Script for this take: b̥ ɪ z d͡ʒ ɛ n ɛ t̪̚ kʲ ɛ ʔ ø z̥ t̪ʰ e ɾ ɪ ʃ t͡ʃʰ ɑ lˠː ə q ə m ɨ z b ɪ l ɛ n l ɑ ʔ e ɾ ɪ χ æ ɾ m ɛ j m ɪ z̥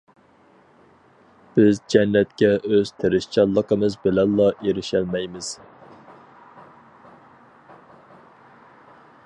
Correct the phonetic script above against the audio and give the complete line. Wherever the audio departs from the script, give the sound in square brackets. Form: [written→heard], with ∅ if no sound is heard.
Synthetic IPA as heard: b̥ ɪ z d͡ʒ ɛ [n→nː] ɛ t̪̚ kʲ ɛ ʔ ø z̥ t̪ʰ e ɾ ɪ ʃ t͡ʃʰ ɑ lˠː ə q ə m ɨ z b ɪ l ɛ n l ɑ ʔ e ɾ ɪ [χ→ʃ] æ [ɾ→l] m ɛ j m ɪ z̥